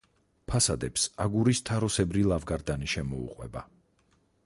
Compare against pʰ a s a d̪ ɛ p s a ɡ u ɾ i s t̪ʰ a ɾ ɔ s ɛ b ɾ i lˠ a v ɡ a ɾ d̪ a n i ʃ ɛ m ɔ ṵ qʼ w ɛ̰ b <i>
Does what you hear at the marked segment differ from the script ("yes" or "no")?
yes